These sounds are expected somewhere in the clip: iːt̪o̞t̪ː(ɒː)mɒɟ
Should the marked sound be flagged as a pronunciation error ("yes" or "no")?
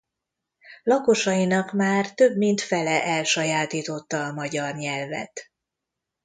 no